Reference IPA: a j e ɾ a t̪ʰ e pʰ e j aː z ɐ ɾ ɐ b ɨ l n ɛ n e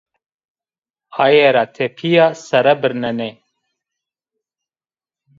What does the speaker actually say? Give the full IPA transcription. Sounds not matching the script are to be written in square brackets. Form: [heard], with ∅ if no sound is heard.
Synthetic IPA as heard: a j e ɾ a t̪ʰ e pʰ [i] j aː [s] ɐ ɾ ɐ b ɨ [ɾ] n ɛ n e